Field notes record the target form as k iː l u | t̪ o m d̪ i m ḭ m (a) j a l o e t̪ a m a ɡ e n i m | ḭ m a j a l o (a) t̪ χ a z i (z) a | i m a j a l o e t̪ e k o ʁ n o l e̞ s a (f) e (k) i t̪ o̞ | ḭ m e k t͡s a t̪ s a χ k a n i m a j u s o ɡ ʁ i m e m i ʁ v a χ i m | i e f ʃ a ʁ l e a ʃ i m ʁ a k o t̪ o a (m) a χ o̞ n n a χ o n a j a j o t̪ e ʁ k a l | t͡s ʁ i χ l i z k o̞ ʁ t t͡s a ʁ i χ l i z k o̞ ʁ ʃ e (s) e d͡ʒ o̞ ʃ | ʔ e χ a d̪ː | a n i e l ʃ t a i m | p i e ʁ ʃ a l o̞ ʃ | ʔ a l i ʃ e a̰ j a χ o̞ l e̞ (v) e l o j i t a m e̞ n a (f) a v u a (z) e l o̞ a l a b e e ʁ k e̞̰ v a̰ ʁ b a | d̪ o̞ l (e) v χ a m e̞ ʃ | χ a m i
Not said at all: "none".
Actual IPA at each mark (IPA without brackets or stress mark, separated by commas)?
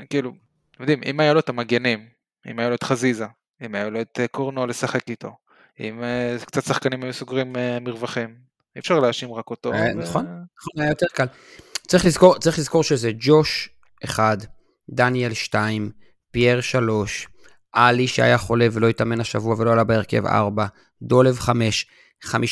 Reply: a, e, z, χ, k, n, z, v, ʃ, v, e